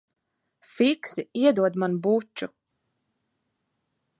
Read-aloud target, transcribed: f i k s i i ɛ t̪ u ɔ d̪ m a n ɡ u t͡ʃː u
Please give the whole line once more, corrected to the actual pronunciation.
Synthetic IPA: f i k s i i ɛ d̪ u ɔ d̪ m a n b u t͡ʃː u